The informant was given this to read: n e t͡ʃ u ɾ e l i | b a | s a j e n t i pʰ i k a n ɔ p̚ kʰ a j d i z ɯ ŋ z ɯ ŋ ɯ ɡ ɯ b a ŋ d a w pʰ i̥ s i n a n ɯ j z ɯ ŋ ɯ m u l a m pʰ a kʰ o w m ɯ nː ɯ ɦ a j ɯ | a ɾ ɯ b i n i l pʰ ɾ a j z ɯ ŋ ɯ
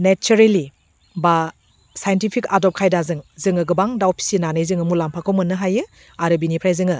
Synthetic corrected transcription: n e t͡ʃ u ɾ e l i | b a | s a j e n t i pʰ i k a d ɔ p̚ kʰ a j d a z ɯ ŋ z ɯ ŋ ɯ ɡ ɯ b a ŋ d a w pʰ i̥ s i n a n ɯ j z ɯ ŋ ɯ m u l a m pʰ a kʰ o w m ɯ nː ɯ ɦ a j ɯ | a ɾ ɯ b i n i pʰ ɾ a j z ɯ ŋ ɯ